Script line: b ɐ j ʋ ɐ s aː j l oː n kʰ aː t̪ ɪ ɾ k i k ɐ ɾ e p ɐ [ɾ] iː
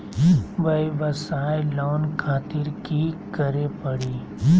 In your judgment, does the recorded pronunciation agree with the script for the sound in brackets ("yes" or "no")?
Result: no